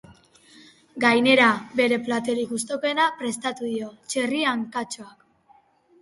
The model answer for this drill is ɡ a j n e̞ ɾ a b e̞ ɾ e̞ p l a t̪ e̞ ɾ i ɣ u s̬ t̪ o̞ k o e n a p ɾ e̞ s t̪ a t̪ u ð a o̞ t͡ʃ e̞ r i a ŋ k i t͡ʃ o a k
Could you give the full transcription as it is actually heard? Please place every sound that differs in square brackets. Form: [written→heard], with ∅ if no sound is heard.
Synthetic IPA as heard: ɡ a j n e̞ ɾ a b e̞ ɾ e̞ p l a t̪ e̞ ɾ i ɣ u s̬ t̪ o̞ k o e n a p ɾ e̞ s t̪ a t̪ u ð [a→i] o̞ t͡ʃ e̞ r i a ŋ k [i→a] t͡ʃ o a k